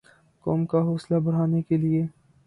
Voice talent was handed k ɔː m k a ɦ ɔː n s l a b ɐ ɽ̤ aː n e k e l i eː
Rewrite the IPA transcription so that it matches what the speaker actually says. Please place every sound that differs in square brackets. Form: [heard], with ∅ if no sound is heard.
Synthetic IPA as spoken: k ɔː m k a ɦ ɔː [∅] s l a b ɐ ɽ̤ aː n e k e l i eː